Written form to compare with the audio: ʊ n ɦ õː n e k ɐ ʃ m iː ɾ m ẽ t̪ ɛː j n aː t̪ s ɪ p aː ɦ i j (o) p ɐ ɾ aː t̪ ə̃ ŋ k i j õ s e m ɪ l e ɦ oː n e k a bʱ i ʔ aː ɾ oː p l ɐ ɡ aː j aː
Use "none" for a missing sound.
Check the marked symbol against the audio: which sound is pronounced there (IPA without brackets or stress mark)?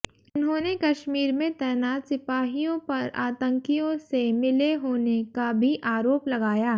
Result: õ